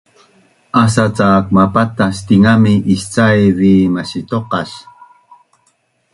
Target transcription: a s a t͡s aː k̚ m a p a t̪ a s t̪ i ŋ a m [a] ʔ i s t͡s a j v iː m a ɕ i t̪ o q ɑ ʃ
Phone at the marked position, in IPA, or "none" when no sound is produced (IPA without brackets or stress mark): i